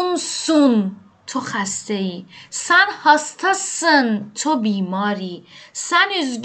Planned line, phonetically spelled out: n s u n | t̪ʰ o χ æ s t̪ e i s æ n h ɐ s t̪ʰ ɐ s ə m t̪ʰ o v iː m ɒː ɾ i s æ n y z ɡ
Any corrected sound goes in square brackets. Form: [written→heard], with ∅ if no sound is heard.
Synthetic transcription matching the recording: n s u n | t̪ʰ o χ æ s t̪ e i s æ n h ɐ s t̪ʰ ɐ s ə [m→n] t̪ʰ o [v→b] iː m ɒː ɾ i s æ n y z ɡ